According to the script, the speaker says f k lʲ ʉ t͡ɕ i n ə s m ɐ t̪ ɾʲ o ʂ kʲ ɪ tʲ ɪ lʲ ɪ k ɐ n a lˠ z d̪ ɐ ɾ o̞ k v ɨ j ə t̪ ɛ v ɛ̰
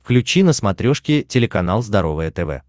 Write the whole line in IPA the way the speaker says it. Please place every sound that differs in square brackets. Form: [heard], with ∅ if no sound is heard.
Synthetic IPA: f k lʲ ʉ t͡ɕ i n ə s m ɐ t̪ ɾʲ o ʂ kʲ ɪ tʲ ɪ lʲ ɪ k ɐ n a lˠ z d̪ ɐ ɾ o̞ [∅] v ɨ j ə t̪ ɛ v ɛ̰